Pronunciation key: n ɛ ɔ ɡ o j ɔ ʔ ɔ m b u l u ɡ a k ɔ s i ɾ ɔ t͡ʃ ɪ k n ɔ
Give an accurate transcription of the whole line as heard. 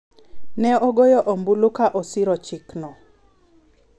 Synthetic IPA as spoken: n ɛ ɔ ɡ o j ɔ ʔ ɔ m b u l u k a ʔ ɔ s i ɾ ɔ t͡ʃ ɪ k n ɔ